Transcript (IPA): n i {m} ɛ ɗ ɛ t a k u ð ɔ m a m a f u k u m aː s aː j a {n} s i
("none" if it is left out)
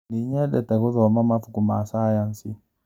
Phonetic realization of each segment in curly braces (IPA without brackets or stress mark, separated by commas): ɲ, n